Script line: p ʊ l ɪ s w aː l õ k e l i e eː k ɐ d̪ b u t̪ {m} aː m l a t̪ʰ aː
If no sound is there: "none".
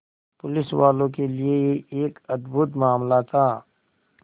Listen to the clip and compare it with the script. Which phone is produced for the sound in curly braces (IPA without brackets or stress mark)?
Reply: m